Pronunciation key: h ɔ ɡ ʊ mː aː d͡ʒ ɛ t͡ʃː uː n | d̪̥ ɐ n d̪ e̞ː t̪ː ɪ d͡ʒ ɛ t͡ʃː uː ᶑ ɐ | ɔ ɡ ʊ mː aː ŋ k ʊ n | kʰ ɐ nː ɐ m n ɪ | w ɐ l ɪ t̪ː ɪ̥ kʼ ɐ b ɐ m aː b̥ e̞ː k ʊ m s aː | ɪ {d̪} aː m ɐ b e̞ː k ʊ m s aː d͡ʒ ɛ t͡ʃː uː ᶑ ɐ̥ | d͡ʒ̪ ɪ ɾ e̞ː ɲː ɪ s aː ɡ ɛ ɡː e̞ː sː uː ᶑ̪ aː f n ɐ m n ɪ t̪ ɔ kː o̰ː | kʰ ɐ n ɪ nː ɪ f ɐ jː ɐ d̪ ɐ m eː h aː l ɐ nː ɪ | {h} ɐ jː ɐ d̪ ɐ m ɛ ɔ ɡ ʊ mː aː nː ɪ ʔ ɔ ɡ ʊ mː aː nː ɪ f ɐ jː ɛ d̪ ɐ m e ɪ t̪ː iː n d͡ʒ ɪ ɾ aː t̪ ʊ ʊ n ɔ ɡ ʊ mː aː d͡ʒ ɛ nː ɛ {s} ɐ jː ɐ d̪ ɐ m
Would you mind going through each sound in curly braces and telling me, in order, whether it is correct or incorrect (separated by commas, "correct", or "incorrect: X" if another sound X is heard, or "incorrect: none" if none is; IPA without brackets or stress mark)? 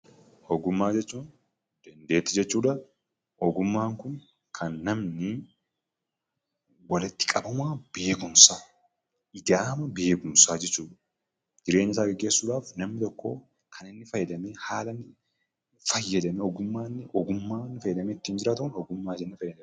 correct, incorrect: f, incorrect: f